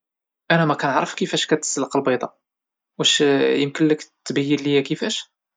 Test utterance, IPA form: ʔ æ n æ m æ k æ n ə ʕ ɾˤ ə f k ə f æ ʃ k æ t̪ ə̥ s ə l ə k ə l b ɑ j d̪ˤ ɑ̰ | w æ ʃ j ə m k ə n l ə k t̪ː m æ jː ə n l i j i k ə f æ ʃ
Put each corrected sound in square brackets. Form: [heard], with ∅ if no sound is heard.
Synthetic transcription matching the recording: ʔ æ n æ m æ k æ n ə ʕ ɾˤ ə f k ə f æ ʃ k æ t̪ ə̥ s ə l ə [q] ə l b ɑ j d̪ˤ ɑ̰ | w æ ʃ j ə m k ə n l ə k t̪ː [b] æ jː ə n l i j [æ] k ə f æ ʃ